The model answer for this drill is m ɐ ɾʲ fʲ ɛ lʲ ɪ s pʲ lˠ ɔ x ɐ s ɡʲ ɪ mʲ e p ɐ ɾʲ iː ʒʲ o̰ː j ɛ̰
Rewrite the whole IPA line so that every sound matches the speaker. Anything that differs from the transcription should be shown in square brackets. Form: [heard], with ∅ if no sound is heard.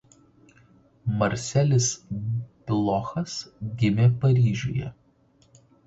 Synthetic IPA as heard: m ɐ ɾʲ [sʲ] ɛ lʲ ɪ s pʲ lˠ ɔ x ɐ s ɡʲ ɪ mʲ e p ɐ ɾʲ iː ʒʲ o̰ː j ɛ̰